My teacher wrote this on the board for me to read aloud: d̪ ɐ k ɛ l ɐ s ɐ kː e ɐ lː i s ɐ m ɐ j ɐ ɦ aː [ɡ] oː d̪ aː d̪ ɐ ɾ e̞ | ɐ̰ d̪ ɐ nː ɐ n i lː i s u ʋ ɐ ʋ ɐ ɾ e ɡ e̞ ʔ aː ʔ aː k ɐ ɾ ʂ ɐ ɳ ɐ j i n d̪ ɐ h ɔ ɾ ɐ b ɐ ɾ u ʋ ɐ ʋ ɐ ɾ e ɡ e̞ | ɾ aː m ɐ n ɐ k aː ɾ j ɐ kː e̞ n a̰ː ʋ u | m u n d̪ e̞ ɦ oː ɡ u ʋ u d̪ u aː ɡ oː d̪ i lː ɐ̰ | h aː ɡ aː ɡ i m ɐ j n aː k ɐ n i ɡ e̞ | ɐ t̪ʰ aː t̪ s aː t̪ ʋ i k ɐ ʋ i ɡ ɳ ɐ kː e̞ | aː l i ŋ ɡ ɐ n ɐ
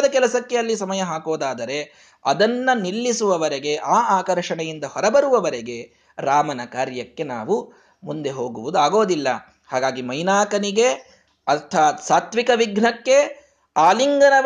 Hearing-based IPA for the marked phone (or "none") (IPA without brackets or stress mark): k